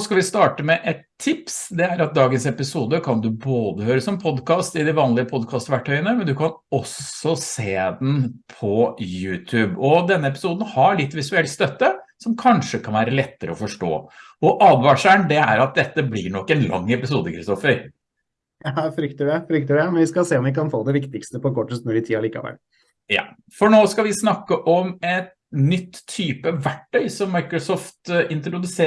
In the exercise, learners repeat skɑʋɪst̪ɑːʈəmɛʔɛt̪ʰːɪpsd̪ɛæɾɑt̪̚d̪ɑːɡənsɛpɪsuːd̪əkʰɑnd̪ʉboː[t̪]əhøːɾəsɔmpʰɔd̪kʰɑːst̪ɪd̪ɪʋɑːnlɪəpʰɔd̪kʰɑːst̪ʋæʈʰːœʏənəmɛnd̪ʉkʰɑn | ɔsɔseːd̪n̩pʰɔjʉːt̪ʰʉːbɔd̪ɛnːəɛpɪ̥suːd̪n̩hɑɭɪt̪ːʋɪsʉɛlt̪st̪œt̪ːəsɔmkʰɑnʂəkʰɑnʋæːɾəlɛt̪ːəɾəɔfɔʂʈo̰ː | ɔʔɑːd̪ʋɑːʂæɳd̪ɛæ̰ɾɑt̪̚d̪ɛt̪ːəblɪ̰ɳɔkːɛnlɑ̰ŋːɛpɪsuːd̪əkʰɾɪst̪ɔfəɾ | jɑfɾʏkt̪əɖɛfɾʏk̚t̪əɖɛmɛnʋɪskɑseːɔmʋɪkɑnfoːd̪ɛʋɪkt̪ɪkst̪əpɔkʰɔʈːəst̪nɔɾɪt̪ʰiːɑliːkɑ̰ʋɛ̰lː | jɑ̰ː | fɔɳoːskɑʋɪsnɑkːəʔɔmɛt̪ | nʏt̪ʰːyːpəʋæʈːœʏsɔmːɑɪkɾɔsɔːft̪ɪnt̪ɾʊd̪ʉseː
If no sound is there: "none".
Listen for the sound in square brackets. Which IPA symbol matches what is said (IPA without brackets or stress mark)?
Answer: d̪